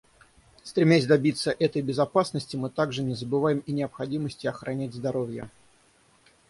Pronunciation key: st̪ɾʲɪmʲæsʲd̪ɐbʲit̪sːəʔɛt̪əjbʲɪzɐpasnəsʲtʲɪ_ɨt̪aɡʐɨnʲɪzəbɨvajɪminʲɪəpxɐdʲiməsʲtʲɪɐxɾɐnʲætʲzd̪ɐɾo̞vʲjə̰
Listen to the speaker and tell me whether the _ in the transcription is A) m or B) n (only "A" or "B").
A